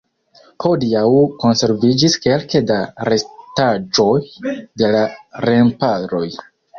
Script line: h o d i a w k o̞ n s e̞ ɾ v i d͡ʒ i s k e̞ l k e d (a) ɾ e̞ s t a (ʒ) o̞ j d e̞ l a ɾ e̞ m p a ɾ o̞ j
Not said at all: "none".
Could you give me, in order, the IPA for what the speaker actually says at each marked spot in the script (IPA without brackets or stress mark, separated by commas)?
a, d͡ʒ